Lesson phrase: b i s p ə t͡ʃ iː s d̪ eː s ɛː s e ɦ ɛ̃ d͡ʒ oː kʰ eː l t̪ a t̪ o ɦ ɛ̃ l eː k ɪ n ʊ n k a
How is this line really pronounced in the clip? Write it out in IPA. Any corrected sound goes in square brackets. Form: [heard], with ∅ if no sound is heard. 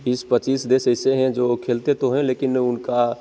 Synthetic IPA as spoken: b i s p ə t͡ʃ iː s d̪ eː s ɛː s e ɦ ɛ̃ d͡ʒ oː kʰ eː l t̪ [e] t̪ o ɦ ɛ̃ l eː k ɪ n ʊ n k a